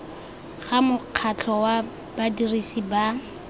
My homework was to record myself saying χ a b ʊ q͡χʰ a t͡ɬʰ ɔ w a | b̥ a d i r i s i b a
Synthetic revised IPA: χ a m ʊ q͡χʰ a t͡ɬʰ ɔ w a | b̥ a d i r i s i b a